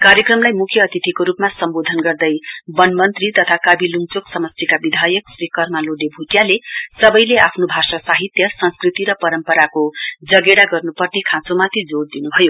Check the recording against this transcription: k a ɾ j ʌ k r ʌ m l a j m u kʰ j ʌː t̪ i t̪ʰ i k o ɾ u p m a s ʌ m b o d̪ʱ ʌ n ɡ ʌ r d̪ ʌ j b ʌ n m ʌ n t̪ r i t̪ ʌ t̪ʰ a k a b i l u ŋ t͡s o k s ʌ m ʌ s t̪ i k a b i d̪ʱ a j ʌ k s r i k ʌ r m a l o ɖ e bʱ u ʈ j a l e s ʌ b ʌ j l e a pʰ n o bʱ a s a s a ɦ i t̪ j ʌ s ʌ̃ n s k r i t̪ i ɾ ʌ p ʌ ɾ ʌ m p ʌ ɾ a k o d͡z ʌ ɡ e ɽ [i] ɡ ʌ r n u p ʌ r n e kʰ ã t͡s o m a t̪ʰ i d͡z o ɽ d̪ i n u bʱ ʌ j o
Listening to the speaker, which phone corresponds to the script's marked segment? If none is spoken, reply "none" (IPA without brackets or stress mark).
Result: a